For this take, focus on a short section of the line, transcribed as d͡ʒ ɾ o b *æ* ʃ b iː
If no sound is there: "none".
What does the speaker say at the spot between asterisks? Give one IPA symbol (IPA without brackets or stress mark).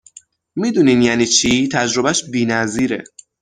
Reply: æ